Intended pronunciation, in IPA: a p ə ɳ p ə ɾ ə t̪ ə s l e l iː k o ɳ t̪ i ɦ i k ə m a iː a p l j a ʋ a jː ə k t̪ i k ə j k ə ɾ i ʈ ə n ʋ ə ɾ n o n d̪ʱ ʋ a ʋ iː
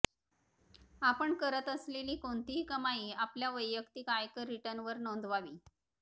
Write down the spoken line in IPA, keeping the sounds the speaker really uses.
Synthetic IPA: a p ə ɳ k ə ɾ ə t̪ ə s l e l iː k o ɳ t̪ i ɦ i k ə m a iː a p l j a ʋ ə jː ə k t̪ i k a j k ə ɾ i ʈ ə n ʋ ə ɾ n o n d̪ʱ ʋ a ʋ iː